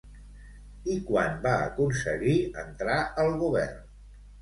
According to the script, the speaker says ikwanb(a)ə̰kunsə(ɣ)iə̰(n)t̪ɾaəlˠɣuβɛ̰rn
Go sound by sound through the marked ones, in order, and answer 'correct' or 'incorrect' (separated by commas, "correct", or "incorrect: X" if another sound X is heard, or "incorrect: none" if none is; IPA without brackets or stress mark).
correct, correct, correct